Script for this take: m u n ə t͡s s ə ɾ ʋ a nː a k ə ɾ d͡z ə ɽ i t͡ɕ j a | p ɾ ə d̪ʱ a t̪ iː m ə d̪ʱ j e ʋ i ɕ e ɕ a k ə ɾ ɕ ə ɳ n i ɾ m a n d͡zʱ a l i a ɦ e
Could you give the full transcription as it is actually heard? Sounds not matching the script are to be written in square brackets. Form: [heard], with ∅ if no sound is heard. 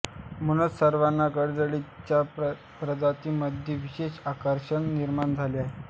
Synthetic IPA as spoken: m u n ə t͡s s ə ɾ ʋ a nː a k ə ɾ d͡z ə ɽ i t͡ɕ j a | p ɾ ə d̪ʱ a t̪ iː m ə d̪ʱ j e ʋ i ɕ e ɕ a k ə ɾ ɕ ə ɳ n i ɾ m a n d͡zʱ a l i a ɦ e